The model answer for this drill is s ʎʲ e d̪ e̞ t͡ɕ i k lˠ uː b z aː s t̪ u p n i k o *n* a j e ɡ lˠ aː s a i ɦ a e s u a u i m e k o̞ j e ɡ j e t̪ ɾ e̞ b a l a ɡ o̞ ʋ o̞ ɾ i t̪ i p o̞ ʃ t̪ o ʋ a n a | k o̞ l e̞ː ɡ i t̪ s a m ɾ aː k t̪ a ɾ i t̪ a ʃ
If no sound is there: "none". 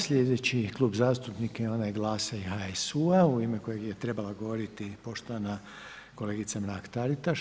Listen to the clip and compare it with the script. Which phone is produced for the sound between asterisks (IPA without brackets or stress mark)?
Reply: n